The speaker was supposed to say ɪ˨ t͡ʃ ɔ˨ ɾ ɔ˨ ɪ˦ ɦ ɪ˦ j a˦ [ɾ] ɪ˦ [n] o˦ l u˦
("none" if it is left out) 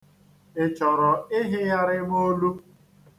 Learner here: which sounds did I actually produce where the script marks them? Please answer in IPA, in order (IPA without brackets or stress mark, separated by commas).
ɾ, m